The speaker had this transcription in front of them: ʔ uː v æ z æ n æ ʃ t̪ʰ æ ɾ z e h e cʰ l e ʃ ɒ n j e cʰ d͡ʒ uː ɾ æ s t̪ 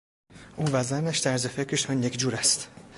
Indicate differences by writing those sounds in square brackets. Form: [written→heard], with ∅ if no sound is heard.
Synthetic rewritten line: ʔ uː v æ z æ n æ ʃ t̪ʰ æ ɾ z e [h→f] e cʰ [l→ɾ] e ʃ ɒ n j e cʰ d͡ʒ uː ɾ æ s t̪